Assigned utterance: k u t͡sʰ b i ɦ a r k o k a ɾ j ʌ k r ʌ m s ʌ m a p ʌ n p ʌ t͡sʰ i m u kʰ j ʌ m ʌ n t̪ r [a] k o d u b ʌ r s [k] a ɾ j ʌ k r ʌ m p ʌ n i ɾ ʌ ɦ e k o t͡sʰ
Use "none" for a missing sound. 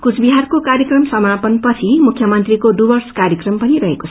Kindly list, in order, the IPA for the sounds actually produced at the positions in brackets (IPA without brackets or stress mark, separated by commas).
i, k